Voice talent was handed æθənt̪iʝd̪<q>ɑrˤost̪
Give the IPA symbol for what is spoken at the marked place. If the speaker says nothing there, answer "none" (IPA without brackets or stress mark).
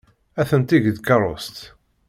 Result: k